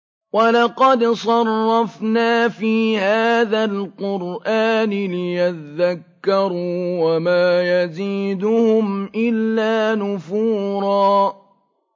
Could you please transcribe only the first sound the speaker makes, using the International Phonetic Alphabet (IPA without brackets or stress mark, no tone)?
w